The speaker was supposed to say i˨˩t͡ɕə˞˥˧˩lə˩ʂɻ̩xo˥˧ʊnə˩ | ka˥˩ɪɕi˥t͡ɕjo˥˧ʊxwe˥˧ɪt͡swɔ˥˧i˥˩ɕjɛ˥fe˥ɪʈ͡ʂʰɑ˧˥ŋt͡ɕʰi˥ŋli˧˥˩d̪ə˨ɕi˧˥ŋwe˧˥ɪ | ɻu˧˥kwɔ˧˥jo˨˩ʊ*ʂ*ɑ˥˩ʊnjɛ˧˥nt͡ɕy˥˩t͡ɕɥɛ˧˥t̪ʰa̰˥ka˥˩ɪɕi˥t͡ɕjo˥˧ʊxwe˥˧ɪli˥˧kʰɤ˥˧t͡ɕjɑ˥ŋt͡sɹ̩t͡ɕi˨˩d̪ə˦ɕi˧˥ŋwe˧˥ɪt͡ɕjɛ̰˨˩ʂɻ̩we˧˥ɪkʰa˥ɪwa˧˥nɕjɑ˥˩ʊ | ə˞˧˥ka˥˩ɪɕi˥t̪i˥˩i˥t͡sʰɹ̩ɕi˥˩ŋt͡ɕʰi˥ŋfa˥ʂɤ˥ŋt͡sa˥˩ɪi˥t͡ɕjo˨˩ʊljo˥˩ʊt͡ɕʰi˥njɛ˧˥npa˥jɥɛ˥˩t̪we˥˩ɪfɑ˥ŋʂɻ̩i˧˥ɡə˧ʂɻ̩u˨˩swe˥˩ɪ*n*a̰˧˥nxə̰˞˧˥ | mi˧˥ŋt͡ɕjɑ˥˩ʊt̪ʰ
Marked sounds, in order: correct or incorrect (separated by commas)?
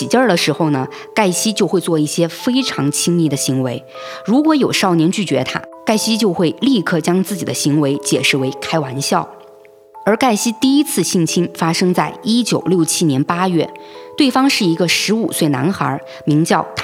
correct, correct